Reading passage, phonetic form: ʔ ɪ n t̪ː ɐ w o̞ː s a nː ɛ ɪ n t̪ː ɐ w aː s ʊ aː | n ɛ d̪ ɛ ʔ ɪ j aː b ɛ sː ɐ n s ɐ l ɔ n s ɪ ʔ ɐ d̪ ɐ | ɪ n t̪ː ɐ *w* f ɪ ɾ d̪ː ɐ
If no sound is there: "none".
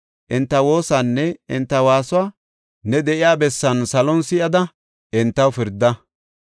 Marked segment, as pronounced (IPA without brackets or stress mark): w